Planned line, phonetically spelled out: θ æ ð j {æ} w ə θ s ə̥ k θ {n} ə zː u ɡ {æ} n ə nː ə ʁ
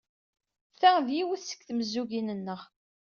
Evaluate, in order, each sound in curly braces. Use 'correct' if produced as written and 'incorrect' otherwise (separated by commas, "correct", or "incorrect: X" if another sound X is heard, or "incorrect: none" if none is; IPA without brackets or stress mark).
incorrect: i, incorrect: m, incorrect: i